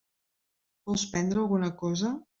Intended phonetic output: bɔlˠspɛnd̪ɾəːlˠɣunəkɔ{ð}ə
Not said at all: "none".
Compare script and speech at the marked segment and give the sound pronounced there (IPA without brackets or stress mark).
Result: z